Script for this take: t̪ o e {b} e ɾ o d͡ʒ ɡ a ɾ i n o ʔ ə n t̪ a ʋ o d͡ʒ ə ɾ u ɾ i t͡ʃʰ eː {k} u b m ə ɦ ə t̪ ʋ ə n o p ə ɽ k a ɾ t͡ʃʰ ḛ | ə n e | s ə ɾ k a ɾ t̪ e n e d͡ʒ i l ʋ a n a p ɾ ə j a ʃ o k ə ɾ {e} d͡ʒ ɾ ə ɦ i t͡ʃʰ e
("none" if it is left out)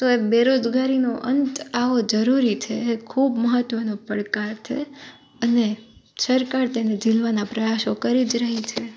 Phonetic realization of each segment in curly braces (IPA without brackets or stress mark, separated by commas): b, kʰ, i